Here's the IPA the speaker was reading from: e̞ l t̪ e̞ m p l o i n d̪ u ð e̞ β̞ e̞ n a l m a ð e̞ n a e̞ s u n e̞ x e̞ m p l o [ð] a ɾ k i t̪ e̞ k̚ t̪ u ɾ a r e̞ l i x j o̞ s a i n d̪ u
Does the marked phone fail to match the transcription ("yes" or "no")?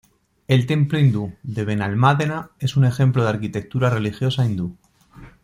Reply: no